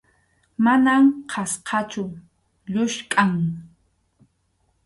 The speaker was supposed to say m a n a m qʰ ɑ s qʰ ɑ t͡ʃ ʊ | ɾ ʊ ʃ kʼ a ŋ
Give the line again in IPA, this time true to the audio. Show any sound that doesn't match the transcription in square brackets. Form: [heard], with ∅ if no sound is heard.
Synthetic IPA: m a n a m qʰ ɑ s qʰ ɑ t͡ʃ ʊ | [ʎ] ʊ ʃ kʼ a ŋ